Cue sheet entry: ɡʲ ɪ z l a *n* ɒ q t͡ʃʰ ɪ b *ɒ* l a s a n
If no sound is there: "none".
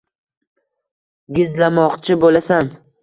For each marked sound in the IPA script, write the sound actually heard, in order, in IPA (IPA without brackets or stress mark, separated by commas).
m, o